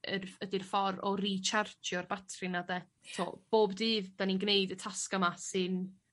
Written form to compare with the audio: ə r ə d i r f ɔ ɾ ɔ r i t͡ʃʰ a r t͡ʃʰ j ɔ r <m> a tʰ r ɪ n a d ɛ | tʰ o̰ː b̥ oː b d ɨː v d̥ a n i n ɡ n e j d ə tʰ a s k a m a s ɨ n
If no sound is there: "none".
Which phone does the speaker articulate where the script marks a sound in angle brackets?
b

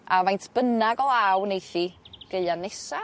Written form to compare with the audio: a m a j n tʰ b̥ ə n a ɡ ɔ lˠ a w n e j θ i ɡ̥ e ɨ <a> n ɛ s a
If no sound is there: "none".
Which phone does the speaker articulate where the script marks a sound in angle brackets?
a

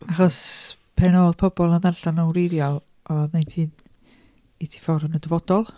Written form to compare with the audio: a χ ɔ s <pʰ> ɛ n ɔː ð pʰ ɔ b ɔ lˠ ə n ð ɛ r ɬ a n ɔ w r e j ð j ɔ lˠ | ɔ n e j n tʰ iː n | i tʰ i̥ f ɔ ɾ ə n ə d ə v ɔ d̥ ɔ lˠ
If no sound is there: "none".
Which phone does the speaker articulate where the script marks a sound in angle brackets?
pʰ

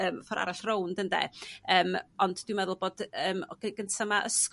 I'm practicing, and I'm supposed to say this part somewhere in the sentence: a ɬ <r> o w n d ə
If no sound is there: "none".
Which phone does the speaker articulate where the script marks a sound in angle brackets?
r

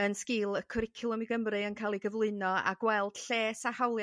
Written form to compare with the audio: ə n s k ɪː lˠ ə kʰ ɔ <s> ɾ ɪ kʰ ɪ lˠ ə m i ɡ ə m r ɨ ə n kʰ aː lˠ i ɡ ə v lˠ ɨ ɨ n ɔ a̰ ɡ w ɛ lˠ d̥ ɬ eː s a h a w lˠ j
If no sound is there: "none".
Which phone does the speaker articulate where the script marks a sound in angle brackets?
none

